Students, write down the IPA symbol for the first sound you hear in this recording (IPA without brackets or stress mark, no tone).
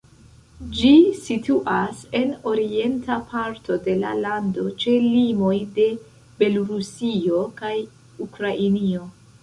d͡ʒ